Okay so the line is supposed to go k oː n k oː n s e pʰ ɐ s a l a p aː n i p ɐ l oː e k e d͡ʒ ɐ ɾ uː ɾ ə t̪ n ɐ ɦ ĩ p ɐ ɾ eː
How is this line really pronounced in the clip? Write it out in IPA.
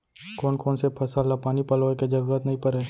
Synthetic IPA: k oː n k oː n s e pʰ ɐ s a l a p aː n i p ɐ l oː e k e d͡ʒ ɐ ɾ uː ɾ ə t̪ n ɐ ɦ ĩ p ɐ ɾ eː